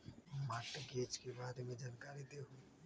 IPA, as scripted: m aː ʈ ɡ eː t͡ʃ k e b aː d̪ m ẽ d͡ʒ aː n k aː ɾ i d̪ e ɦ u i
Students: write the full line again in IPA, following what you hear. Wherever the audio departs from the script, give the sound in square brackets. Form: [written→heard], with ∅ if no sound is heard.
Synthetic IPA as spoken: m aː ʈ ɡ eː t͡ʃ k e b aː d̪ m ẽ d͡ʒ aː n k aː ɾ i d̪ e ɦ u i